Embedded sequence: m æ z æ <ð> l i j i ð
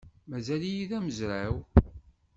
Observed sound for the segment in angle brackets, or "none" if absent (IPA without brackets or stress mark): none